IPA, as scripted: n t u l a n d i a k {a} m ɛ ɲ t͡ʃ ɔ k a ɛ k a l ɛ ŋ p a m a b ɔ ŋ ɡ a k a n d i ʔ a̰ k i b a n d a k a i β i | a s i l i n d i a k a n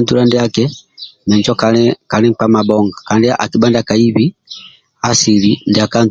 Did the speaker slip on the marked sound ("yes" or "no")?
yes